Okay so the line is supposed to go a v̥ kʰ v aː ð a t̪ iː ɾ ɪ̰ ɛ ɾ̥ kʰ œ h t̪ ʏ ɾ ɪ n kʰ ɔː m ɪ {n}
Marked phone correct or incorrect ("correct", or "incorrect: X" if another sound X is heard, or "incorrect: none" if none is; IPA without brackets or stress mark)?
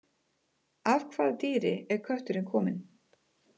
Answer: correct